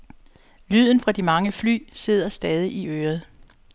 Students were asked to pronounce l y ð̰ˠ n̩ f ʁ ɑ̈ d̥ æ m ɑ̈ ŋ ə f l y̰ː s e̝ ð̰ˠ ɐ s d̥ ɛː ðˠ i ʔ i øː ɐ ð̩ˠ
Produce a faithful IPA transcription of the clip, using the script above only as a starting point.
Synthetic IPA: l y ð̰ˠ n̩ f ʁ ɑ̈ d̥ i m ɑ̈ ŋ ə f l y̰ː s e̝ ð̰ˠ ɐ s d̥ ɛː ðˠ i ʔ i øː ɐ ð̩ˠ